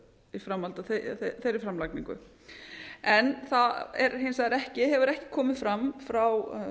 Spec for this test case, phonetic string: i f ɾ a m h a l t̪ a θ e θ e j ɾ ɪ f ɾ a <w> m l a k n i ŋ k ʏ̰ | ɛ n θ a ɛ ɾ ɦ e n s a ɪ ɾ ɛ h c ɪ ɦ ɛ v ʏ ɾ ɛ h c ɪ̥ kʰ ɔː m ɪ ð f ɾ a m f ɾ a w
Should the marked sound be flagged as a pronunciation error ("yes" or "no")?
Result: yes